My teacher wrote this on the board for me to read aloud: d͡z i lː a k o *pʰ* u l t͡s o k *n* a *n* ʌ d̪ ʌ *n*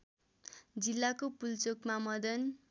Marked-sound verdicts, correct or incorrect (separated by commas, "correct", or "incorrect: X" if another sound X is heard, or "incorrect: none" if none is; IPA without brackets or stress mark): incorrect: p, incorrect: m, incorrect: m, correct